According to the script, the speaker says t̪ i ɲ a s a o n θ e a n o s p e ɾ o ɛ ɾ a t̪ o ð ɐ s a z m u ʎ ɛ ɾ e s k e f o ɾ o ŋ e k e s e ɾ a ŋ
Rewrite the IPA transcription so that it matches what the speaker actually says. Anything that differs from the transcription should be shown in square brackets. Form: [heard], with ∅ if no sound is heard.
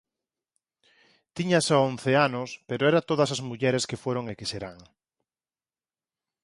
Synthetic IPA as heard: t̪ i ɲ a s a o n θ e a n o s p e ɾ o ɛ ɾ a t̪ o ð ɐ s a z m u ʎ ɛ ɾ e s k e f o ɾ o ŋ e k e s e ɾ a ŋ